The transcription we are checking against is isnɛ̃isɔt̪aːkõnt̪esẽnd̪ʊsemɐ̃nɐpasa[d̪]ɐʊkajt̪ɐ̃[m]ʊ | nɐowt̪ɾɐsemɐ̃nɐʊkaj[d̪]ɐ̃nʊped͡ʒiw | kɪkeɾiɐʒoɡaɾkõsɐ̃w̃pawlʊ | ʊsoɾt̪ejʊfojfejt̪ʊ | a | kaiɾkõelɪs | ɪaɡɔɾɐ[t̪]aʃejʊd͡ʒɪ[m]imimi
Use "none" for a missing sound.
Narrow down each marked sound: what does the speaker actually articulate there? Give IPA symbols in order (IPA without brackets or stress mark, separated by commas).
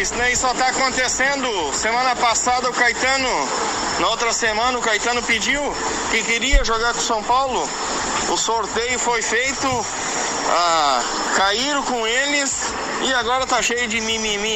d̪, n, t̪, t̪, m